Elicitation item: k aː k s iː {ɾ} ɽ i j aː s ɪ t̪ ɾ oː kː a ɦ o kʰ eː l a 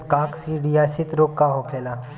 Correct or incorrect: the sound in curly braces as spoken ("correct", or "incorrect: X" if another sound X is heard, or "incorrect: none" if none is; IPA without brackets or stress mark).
incorrect: none